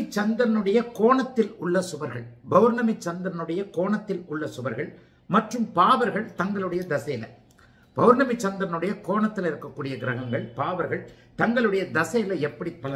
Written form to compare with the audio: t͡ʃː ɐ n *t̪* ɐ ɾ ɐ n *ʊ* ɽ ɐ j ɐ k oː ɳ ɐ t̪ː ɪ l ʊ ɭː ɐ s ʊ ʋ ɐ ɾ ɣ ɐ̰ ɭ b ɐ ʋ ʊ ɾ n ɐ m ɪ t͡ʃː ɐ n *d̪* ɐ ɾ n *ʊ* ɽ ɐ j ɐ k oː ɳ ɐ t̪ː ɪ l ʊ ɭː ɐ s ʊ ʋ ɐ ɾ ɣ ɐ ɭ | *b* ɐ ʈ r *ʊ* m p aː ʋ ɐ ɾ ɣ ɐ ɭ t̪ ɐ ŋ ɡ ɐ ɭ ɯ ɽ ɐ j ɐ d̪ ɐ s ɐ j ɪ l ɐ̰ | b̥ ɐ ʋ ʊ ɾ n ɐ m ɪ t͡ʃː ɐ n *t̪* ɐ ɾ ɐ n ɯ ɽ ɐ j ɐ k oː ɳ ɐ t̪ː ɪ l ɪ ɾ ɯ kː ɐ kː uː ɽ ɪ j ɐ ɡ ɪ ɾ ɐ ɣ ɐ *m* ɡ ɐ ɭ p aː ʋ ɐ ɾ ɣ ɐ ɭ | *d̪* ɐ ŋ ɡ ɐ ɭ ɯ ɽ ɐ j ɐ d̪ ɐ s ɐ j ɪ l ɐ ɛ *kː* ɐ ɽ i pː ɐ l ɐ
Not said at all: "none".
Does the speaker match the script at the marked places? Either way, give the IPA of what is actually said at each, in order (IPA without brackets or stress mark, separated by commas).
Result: d̪, ɯ, d̪, ɯ, m, ɯ, d̪, ŋ, t̪, pː